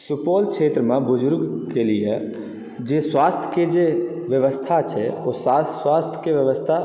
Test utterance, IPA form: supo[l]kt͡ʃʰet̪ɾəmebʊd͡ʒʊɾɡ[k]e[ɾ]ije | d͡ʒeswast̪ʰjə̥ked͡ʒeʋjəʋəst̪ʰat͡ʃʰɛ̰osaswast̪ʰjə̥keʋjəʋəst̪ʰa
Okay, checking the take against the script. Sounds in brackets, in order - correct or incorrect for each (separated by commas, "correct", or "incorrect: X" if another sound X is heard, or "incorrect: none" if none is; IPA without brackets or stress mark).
correct, correct, incorrect: l